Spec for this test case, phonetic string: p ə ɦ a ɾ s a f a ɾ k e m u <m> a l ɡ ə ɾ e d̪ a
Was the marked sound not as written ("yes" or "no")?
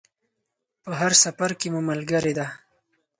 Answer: no